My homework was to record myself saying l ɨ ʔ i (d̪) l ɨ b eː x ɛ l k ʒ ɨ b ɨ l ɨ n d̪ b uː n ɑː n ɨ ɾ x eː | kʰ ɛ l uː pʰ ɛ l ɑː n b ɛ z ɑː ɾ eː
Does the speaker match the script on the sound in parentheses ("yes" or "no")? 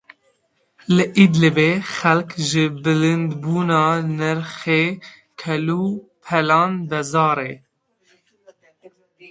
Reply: yes